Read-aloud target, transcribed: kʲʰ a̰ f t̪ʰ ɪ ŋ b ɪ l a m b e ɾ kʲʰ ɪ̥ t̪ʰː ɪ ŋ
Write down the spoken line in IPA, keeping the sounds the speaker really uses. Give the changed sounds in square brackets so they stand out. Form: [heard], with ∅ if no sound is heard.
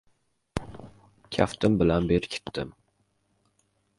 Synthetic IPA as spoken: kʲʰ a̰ f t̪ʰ ɪ [m] b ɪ l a [n] b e ɾ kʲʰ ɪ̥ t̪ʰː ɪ [m]